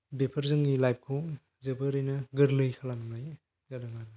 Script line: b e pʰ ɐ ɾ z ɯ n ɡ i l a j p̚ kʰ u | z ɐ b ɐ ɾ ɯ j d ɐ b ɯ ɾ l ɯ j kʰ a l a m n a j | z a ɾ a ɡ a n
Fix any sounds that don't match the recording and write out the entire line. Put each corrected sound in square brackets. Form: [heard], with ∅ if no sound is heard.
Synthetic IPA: b e pʰ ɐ ɾ z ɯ [ŋ] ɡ i l a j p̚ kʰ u | z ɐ b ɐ ɾ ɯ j [n] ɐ [ɡ] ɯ ɾ l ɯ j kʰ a l a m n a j | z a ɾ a [ŋ] a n